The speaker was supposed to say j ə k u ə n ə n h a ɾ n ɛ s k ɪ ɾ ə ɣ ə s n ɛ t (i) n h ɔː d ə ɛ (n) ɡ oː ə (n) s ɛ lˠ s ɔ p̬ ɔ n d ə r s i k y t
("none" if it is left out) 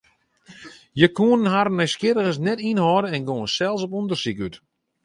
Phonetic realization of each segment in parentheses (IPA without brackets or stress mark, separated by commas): i, n, n